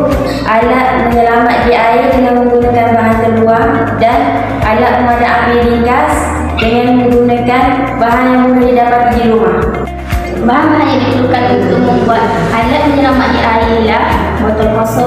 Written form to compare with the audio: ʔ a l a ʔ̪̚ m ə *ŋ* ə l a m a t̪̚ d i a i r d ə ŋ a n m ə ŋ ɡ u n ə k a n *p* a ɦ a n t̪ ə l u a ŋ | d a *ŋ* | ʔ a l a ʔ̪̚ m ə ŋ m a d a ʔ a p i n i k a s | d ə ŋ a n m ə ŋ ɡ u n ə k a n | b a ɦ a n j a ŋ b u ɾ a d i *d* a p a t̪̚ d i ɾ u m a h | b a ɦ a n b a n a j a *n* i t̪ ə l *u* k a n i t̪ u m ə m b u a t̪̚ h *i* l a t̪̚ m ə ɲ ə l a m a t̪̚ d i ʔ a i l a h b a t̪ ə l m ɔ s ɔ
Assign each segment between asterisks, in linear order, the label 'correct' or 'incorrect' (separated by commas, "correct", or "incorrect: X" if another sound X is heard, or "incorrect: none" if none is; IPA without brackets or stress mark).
incorrect: ɲ, incorrect: b, incorrect: n, correct, incorrect: d, correct, incorrect: a